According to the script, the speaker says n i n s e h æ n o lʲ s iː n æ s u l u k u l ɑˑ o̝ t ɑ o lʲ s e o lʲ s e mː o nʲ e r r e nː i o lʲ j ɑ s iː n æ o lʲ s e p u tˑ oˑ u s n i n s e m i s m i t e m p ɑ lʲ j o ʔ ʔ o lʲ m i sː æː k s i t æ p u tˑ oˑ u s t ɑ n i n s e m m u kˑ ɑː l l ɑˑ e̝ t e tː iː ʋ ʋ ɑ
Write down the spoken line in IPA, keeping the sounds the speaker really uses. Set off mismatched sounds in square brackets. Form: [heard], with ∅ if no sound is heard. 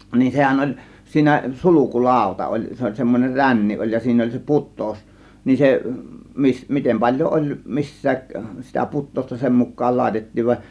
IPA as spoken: n i n s e h æ n o lʲ s iː n æ s u l u k u l ɑˑ o̝ t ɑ o lʲ s e o lʲ s e mː o nʲ e r r [æ] nː i o lʲ j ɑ s iː n æ o lʲ s e p u tˑ oˑ u s n i n s e m i s m i t e m p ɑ lʲ j o ʔ ʔ o lʲ m i sː æː k s i t æ p u tˑ oˑ u s t ɑ n i n s e m m u kˑ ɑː l l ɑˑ e̝ t e tː iː ʋ ʋ ɑ